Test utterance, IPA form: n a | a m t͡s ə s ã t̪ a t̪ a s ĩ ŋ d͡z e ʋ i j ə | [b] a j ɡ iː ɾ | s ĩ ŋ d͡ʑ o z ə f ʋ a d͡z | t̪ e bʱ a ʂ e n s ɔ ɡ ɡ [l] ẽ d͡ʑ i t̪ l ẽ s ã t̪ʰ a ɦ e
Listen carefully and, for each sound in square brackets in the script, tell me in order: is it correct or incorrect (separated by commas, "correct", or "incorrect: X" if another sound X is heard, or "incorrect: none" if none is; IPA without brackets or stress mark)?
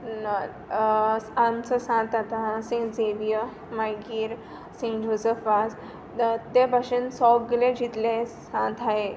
incorrect: m, correct